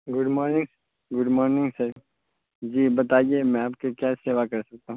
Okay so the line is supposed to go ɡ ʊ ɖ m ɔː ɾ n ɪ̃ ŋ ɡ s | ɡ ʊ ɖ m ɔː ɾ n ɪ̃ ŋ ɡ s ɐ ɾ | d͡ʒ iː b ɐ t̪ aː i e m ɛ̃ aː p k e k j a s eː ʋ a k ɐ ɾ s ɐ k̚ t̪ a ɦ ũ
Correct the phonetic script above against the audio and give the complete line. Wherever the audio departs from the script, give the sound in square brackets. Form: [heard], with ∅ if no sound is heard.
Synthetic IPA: ɡ ʊ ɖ m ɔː ɾ n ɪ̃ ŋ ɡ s | ɡ ʊ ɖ m ɔː ɾ n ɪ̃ ŋ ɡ s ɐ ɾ | d͡ʒ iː b ɐ t̪ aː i e m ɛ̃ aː p k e k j a s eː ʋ a k ɐ ɾ s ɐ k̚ t̪ a ɦ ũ